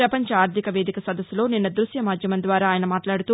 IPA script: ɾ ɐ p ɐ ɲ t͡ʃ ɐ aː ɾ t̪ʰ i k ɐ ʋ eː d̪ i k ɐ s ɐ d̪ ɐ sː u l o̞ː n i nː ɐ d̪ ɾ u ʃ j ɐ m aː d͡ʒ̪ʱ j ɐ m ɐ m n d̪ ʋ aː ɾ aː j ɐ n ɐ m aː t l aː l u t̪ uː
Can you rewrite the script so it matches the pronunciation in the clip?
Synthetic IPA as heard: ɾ ɐ p ɐ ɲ t͡ʃ ɐ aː ɾ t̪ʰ i k ɐ ʋ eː d̪ i k ɐ s ɐ d̪ ɐ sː u l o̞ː n i nː ɐ d̪ ɾ u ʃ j ɐ m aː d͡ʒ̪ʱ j ɐ m ɐ n d̪ ʋ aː ɾ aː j ɐ n ɐ m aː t l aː ɽ u t̪ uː